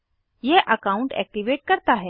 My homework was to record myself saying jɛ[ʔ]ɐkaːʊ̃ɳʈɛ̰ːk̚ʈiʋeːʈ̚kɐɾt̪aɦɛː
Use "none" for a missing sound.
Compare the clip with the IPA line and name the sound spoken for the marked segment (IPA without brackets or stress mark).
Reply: ʔ